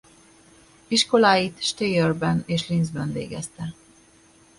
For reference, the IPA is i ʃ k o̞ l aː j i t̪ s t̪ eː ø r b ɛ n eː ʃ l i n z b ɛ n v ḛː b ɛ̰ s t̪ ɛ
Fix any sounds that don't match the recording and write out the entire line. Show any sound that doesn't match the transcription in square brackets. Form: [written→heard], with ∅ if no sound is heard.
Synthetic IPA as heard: i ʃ k o̞ l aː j i t̪ [s→ʃ] t̪ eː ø r b ɛ n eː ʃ l i n z b ɛ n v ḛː [b→ɡ] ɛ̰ s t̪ ɛ